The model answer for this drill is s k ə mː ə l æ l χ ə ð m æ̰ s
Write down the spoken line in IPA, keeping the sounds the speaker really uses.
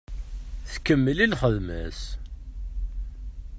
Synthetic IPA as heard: θ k ə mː ə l i l χ ə ð m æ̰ s